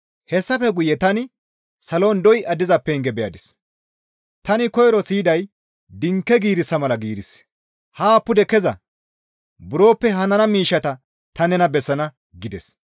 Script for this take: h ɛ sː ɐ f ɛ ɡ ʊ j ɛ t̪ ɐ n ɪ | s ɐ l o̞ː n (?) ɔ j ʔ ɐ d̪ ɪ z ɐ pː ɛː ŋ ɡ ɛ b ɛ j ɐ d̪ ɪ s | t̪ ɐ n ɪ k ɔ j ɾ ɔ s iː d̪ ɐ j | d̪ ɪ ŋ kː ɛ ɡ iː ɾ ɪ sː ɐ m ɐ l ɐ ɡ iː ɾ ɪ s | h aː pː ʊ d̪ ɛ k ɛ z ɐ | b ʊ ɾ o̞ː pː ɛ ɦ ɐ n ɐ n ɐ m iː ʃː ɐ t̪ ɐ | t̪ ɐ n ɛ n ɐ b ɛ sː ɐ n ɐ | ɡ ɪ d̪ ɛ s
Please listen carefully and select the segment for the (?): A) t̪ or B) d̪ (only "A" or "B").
B